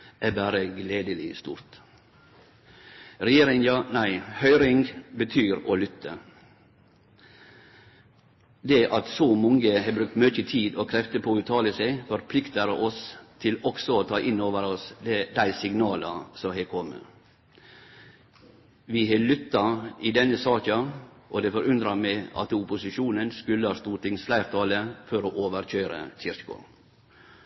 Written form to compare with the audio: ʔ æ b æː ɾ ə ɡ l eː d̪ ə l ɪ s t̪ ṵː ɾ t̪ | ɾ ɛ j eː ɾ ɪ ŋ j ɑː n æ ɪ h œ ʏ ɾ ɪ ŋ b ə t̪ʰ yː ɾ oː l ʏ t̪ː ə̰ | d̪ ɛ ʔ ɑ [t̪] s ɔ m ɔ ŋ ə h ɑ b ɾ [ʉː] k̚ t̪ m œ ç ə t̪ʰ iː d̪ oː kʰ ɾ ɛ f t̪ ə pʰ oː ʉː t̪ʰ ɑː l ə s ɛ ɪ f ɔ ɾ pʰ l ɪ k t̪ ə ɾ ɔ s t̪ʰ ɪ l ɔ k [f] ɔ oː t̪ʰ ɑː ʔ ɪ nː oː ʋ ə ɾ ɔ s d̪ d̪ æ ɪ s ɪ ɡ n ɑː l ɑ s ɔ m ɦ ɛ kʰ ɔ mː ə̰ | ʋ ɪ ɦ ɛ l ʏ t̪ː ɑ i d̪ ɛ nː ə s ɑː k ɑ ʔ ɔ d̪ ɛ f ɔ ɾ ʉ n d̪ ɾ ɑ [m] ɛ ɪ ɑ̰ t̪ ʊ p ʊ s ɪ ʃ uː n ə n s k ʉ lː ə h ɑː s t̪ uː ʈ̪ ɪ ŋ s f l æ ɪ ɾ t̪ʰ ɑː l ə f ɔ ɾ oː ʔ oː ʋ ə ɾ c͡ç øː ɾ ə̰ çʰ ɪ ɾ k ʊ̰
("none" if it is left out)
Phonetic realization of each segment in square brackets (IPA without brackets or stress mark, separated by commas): t̪, ʉ, s, m